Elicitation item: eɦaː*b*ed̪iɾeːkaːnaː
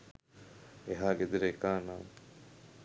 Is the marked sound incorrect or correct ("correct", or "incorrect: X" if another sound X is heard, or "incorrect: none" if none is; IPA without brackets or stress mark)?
incorrect: ɡ